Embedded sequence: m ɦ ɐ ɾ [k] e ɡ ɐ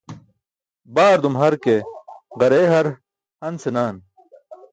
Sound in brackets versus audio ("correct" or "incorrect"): correct